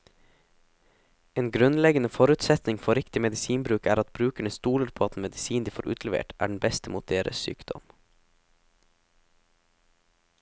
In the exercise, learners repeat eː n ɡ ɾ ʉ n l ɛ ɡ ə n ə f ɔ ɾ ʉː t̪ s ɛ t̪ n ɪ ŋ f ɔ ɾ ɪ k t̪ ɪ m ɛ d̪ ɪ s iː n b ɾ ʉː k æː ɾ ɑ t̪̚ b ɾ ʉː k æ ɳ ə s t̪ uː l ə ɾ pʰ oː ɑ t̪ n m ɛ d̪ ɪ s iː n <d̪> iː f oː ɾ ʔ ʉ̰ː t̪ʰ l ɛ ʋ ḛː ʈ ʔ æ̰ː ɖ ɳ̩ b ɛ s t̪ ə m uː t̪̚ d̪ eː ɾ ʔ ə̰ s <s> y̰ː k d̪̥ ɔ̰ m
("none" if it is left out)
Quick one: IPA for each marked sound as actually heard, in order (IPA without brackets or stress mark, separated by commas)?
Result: d̪, s